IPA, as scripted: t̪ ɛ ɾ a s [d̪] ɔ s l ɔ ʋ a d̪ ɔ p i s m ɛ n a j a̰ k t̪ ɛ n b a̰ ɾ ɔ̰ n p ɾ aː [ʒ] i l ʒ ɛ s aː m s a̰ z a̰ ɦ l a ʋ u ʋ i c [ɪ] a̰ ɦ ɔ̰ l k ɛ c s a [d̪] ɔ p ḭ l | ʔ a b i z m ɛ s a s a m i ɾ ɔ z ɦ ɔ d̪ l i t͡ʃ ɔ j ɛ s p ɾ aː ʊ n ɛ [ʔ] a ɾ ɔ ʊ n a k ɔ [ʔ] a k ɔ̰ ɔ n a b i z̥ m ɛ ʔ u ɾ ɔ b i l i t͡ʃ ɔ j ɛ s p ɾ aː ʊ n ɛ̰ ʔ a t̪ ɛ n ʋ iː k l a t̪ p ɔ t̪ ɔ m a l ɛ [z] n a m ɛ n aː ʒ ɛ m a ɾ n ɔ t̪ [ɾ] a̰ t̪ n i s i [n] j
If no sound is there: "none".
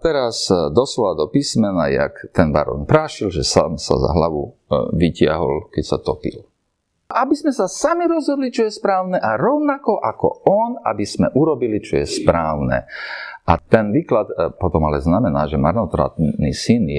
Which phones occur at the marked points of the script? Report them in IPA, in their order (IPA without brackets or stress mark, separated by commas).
d̪, ʃ, ɪ, t̪, ʔ, ʔ, z, ɾ, n